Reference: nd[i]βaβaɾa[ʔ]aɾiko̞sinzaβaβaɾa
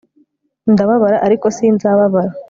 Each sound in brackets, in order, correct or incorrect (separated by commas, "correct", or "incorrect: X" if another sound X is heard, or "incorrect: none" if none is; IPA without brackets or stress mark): incorrect: a, correct